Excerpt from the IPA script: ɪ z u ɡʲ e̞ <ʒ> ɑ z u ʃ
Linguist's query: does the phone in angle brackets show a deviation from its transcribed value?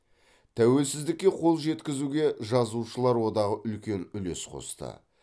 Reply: no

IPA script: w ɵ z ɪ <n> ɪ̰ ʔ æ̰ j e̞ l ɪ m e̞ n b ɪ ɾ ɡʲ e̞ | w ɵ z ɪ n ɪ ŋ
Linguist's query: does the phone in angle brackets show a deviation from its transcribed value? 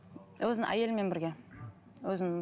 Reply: no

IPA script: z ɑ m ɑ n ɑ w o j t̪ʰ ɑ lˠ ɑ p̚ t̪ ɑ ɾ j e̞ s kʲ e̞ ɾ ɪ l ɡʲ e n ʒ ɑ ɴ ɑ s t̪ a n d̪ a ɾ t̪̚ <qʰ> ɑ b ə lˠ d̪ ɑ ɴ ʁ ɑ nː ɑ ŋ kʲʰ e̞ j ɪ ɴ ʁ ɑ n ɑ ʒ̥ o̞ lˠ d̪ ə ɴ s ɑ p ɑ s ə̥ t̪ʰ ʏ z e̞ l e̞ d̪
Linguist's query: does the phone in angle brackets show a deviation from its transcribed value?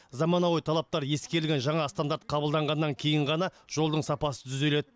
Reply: no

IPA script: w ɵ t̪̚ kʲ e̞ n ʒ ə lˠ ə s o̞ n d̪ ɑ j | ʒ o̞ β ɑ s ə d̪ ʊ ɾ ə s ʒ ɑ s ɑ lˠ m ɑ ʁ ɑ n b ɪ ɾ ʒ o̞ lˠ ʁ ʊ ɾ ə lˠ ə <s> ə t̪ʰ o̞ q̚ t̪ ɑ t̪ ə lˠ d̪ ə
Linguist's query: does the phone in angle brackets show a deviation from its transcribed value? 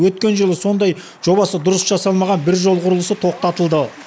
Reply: no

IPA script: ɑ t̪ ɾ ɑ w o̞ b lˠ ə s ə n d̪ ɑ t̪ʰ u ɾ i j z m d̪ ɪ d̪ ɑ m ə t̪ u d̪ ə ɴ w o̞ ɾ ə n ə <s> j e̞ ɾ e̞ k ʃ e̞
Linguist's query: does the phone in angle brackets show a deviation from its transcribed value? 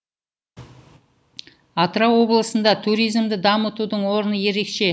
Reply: yes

